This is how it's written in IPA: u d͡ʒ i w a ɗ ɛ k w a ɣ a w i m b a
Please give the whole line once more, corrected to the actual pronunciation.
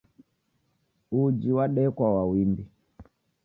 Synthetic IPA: u d͡ʒ i w a ɗ ɛ k w a w a w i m b i